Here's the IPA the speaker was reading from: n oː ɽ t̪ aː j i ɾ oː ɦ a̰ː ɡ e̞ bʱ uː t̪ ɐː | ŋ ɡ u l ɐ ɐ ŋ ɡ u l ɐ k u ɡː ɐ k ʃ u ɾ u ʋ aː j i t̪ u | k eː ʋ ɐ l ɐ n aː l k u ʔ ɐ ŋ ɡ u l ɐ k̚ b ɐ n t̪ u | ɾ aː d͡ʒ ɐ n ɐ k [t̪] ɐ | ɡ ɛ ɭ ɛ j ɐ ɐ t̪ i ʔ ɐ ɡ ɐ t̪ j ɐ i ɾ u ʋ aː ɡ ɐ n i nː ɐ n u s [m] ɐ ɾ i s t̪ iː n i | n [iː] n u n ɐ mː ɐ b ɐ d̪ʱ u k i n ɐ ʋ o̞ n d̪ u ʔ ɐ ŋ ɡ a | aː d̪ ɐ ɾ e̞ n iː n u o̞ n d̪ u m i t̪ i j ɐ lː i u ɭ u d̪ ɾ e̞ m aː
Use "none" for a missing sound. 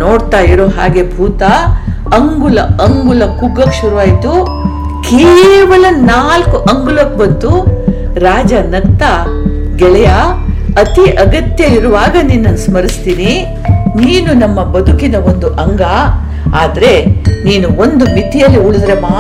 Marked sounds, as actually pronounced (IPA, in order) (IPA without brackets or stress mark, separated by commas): t̪, m, iː